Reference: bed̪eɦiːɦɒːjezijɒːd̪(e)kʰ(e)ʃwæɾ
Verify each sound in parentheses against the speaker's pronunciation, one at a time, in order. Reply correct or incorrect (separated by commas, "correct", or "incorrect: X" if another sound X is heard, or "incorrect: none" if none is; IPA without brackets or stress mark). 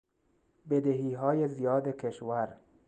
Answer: correct, correct